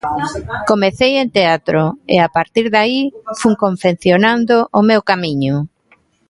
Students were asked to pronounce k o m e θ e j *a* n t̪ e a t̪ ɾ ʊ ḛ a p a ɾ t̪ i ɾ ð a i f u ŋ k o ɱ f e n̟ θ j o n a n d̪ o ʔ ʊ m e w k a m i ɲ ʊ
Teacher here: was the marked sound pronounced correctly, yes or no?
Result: no